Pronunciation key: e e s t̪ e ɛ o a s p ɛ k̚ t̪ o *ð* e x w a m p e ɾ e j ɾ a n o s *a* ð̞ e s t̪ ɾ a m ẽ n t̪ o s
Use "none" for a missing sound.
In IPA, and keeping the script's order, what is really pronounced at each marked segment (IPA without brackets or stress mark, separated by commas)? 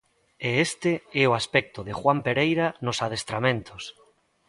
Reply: ð, a